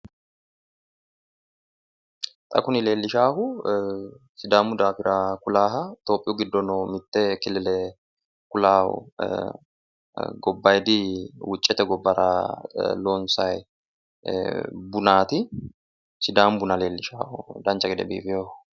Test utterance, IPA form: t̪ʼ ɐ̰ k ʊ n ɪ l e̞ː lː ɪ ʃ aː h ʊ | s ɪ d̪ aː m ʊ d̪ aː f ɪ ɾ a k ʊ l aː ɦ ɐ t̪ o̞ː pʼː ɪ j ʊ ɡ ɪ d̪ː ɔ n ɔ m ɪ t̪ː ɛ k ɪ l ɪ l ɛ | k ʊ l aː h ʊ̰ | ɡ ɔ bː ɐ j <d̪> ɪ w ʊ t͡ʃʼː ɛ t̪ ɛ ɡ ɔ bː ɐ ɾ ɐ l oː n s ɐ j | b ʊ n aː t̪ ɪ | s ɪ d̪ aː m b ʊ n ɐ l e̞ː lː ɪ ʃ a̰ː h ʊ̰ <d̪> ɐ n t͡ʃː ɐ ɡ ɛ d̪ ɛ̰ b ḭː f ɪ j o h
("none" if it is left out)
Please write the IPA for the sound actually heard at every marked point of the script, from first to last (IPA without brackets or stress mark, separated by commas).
d̪, d̪